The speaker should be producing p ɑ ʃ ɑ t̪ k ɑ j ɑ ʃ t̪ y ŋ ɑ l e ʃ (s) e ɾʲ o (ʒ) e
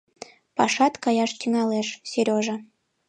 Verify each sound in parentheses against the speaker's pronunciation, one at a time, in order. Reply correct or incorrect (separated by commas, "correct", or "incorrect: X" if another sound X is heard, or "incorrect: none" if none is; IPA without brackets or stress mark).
correct, correct